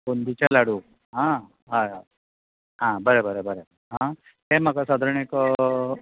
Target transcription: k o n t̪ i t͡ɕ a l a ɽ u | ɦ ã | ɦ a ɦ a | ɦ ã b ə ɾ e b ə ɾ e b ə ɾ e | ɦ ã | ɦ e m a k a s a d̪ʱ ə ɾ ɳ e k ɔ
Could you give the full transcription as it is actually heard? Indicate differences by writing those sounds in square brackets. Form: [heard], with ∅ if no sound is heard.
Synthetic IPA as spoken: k o n [d̪] i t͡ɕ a l a ɽ u | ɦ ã | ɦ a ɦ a | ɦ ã b ə ɾ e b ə ɾ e b ə ɾ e | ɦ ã | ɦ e m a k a s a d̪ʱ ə ɾ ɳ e k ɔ